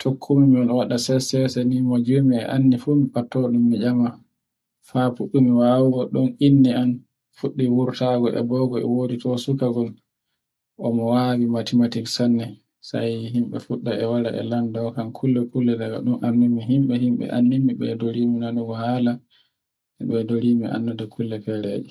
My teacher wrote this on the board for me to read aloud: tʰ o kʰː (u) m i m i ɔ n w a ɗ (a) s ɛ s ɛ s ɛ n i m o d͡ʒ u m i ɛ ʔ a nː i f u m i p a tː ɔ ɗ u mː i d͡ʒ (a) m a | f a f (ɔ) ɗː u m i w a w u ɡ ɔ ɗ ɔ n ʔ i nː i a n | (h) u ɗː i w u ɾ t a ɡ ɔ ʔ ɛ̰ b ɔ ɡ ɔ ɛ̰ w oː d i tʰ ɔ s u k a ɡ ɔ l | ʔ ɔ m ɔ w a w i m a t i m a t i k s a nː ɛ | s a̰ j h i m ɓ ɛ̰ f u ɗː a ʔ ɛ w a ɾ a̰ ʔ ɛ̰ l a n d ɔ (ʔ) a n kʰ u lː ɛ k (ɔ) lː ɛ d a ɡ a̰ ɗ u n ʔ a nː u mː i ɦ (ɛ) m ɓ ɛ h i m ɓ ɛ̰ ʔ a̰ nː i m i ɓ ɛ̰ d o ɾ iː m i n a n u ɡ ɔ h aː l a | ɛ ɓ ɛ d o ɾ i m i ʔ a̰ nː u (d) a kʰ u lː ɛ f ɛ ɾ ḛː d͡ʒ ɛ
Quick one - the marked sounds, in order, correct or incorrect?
correct, correct, correct, incorrect, incorrect, incorrect, incorrect, incorrect, correct

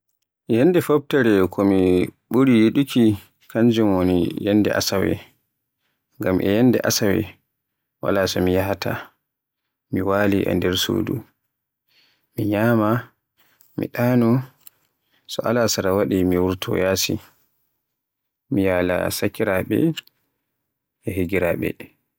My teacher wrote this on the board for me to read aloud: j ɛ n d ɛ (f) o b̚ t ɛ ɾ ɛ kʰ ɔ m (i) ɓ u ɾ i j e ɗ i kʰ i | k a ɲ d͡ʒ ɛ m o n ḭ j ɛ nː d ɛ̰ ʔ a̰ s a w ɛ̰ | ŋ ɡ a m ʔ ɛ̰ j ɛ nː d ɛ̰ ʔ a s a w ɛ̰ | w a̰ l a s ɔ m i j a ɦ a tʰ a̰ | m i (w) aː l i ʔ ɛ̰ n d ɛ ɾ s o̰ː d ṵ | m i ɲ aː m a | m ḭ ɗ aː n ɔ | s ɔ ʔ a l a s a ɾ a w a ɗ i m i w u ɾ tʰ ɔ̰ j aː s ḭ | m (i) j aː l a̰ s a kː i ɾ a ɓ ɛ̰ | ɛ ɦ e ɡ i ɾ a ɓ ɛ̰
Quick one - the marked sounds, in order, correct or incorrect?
correct, correct, correct, correct

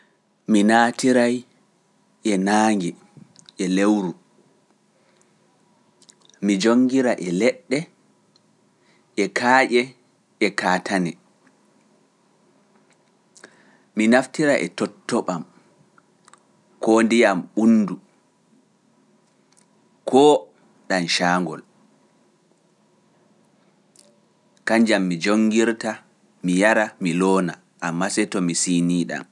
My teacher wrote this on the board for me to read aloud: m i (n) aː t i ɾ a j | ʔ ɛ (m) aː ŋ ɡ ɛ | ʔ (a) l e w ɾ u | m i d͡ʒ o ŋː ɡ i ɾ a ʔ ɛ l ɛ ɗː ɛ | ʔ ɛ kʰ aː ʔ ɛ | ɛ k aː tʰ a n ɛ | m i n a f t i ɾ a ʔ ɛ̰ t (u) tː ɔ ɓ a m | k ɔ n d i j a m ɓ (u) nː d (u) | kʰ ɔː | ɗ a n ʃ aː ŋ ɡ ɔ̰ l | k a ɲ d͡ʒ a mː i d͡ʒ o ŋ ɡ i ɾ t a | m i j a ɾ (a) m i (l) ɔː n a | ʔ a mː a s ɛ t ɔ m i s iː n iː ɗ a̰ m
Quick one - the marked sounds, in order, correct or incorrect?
correct, incorrect, incorrect, incorrect, correct, correct, correct, correct

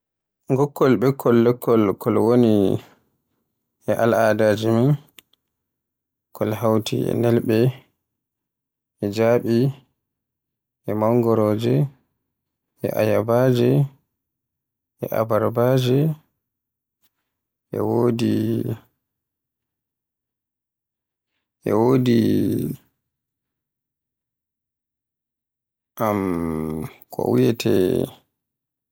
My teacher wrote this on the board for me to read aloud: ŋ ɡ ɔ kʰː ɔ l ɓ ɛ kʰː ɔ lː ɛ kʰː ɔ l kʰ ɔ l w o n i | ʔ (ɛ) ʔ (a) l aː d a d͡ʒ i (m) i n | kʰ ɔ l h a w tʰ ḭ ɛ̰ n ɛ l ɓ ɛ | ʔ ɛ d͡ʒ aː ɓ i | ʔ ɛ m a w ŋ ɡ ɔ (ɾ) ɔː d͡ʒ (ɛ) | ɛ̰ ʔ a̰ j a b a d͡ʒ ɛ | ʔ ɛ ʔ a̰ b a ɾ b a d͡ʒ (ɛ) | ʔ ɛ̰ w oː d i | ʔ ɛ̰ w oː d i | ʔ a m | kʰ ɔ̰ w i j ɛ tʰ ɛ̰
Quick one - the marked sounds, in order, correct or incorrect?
correct, correct, correct, correct, correct, correct

